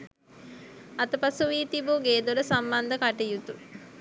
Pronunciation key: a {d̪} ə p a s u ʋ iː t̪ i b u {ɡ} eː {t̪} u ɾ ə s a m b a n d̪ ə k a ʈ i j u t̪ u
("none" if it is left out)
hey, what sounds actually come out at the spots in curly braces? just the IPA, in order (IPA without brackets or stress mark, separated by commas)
t̪, ɡ, d̪